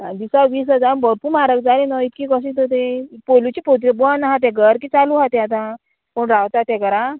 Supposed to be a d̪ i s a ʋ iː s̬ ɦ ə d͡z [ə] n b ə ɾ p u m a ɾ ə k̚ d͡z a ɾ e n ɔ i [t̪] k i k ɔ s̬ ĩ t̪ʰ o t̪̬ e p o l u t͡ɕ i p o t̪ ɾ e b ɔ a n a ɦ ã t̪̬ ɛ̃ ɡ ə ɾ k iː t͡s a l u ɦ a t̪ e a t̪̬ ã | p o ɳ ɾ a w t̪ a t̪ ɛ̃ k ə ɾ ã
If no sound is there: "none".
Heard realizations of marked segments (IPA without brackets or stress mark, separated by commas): a, t̪